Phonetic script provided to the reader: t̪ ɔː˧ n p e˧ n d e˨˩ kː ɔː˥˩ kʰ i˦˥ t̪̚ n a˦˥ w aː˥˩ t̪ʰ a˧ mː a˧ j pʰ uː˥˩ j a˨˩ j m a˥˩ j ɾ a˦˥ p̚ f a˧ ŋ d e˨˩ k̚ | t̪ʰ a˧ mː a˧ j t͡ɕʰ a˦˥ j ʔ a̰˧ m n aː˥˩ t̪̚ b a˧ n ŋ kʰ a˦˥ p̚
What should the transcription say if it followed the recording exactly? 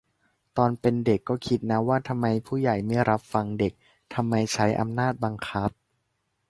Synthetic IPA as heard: t̪ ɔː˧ n p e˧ n d e˨˩ kː ɔː˥˩ kʰ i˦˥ t̪̚ n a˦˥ w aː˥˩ t̪ʰ a˧ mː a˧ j pʰ uː˥˩ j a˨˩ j m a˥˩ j ɾ a˦˥ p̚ f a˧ ŋ d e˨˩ k̚ | t̪ʰ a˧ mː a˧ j t͡ɕʰ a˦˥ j ʔ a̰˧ m n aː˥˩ t̪̚ b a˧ ŋ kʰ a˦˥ p̚